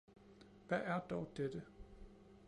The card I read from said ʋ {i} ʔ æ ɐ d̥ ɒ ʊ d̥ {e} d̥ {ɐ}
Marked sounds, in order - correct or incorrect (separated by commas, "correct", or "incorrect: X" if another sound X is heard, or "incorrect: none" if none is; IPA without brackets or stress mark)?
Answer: incorrect: æ, correct, incorrect: ə